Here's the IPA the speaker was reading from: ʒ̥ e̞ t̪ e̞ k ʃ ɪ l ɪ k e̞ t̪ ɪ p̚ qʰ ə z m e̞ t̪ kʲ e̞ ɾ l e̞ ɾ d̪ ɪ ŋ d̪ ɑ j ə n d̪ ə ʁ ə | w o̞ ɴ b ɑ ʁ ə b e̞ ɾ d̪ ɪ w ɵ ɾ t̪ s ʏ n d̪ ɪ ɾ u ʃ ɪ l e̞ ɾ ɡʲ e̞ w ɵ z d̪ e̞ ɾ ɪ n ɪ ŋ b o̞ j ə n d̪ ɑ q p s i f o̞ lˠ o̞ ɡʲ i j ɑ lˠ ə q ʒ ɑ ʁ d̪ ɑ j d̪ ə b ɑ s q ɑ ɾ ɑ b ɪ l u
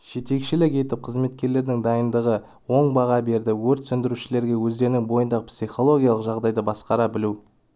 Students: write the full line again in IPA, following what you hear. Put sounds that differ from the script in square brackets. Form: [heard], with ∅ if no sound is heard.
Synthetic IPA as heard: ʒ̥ e̞ t̪ e̞ k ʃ ɪ l ɪ k e̞ t̪ ɪ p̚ qʰ ə z m e̞ t̪ kʲ e̞ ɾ l e̞ ɾ d̪ ɪ ŋ d̪ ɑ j ə n d̪ ə ʁ ə | w o̞ ɴ b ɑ ʁ [ɑ] b e̞ ɾ d̪ ɪ w ɵ ɾ t̪ s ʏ n d̪ ɪ ɾ u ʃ ɪ l e̞ ɾ ɡʲ e̞ w ɵ z d̪ e̞ ɾ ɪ n ɪ ŋ b o̞ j ə n d̪ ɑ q p s i [χ] o̞ lˠ o̞ ɡʲ i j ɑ lˠ ə q ʒ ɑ ʁ d̪ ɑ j d̪ ə b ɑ s q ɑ ɾ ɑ b ɪ l u